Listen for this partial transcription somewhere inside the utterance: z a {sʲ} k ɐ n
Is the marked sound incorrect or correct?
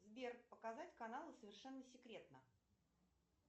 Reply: incorrect